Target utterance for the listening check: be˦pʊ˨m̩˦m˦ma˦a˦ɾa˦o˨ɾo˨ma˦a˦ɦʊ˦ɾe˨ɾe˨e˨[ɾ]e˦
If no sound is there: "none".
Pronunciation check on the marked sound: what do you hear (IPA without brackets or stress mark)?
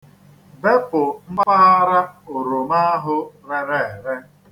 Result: ɾ